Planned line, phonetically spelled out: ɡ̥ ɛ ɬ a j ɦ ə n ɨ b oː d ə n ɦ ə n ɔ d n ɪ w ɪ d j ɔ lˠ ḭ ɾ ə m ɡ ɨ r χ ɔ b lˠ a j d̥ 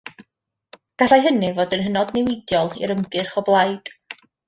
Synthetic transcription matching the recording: ɡ̥ a ɬ a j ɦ ə n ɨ v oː d ə n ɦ ə n ɔ d n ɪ w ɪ d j ɔ lˠ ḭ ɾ ə m ɡ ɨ r χ ɔ b lˠ a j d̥